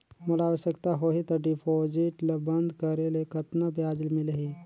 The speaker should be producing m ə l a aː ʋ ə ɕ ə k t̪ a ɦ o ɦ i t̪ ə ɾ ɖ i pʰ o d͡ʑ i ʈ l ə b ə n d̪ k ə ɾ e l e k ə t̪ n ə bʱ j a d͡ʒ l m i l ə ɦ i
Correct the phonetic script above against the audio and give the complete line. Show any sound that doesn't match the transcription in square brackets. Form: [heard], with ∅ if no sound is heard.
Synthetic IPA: m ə l a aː ʋ ə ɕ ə k t̪ a ɦ o ɦ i t̪ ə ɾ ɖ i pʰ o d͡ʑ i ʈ l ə b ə n d̪ k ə ɾ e l e k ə t̪ n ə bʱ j a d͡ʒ l m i l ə ɦ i

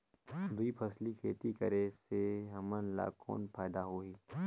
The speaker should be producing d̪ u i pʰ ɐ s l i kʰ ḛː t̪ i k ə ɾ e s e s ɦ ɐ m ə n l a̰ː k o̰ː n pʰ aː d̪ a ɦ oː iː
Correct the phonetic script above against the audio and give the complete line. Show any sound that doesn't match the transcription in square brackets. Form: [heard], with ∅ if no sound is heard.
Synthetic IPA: d̪ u i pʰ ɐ s l i kʰ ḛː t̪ i k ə ɾ e s e [∅] ɦ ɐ m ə n l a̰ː k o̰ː n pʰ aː d̪ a ɦ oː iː

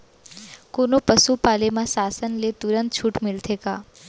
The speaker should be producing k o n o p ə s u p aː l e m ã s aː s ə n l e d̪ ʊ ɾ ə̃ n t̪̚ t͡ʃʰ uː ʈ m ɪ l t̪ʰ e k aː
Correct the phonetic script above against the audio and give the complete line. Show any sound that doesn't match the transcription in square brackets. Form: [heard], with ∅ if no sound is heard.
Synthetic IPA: k o n o p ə s u p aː l e m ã s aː s ə n l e [t̪] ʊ ɾ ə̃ n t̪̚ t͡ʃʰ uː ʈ m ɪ l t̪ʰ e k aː

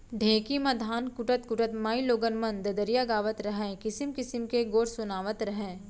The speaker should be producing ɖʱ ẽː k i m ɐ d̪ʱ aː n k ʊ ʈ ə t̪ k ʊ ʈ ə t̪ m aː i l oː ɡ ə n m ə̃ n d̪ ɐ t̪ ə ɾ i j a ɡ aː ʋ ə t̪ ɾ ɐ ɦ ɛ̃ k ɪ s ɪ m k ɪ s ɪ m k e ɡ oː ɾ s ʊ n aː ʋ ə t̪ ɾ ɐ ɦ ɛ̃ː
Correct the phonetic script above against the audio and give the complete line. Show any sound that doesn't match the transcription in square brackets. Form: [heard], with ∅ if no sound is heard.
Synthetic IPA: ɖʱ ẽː k i m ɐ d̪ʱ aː n k ʊ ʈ ə t̪ k ʊ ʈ ə t̪ m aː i l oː ɡ ə n m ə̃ n d̪ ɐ [d̪] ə ɾ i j a ɡ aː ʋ ə t̪ ɾ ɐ ɦ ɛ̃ k ɪ s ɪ m k ɪ s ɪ m k e ɡ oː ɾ s ʊ n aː ʋ ə t̪ ɾ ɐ ɦ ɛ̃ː

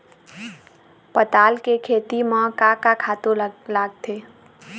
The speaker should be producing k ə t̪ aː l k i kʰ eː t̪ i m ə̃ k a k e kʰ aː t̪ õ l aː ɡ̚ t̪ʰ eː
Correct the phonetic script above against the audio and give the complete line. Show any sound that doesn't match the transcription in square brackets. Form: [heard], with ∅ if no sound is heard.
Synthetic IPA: [p] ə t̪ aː l k [e] kʰ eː t̪ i m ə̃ k a k [a] kʰ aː t̪ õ l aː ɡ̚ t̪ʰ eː

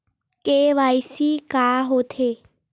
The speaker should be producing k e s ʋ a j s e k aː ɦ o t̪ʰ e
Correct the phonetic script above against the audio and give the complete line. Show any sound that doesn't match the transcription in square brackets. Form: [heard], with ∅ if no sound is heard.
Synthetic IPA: k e [∅] ʋ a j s [i] k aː ɦ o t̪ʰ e

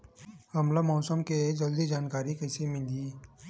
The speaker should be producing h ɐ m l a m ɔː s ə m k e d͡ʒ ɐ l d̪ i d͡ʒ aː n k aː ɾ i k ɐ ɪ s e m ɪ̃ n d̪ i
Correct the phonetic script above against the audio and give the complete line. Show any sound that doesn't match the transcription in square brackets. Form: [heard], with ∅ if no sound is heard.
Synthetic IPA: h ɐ m l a m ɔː s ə m k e d͡ʒ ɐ l d̪ i d͡ʒ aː n k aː ɾ i k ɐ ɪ s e m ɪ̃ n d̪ i

